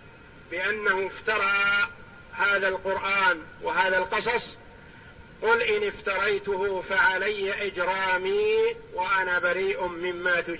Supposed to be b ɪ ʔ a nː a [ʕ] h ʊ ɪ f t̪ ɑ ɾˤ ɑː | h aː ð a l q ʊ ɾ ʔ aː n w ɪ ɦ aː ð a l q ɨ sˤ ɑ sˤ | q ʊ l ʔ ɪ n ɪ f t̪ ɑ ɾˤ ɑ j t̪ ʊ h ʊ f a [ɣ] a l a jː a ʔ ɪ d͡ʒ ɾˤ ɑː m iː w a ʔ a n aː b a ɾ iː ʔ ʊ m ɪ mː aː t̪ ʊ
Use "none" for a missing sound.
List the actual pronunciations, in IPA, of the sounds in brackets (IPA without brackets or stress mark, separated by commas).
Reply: none, ʕ